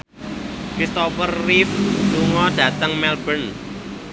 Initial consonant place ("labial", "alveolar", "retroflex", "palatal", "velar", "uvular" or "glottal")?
velar